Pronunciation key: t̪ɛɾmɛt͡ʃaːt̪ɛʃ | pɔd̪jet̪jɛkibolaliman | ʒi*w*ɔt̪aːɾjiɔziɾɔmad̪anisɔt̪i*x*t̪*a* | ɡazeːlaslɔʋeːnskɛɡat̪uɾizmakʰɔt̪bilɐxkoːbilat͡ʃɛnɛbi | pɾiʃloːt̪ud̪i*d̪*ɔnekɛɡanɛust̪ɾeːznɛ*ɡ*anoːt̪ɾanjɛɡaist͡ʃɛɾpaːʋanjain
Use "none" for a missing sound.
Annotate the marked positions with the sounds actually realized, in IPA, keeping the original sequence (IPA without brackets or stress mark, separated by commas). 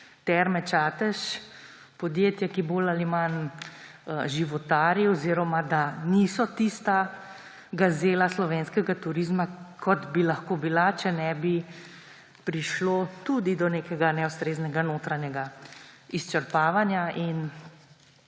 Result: ʋ, s, a, d̪, ɡ